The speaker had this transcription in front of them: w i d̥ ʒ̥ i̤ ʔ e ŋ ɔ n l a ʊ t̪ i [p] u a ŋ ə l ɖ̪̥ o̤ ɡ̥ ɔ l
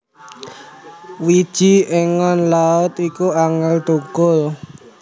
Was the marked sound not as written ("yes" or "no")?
yes